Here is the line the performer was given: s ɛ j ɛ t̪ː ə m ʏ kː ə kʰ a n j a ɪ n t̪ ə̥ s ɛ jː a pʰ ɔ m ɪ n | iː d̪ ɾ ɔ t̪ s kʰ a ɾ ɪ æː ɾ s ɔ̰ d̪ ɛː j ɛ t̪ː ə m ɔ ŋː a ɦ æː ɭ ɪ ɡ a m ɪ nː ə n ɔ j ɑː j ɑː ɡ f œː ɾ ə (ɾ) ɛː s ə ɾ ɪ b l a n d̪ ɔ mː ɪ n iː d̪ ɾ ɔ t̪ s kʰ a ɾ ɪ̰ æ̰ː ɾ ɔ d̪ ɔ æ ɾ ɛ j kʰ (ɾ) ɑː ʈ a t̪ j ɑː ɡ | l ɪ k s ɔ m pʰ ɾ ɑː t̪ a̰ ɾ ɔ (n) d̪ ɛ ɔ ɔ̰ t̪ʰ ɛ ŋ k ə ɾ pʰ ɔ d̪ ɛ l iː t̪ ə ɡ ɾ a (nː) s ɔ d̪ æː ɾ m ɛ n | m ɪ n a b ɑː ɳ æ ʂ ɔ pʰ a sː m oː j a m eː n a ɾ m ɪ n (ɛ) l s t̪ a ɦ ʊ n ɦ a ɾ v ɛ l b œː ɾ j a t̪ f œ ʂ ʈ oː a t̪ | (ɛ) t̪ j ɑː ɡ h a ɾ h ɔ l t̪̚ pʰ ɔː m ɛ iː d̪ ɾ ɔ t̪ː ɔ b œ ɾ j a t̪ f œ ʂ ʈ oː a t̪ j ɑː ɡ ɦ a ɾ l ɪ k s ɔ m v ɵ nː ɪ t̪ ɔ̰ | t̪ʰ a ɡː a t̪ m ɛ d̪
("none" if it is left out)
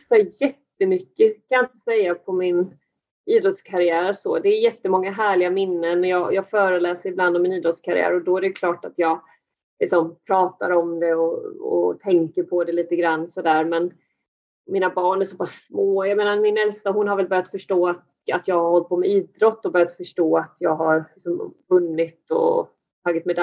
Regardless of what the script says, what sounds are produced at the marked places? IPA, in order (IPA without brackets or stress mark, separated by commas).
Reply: l, l, m, nː, ɛ, a